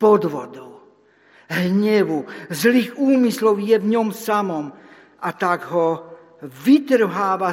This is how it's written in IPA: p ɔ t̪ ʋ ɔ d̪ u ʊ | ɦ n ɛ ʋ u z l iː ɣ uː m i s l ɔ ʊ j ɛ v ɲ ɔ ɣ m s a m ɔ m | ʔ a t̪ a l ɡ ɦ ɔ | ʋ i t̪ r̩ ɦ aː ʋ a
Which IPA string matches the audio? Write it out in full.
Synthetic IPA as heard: p ɔ d̪ ʋ ɔ d̪ ɔ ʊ | ɦ ɲ ɛ ʋ u z l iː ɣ uː m i s l ɔ ʊ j ɛ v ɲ ɔ m s a m ɔ m | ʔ a t̪ a ɡ ɦ ɔ | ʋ i t̪ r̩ ɦ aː ʋ a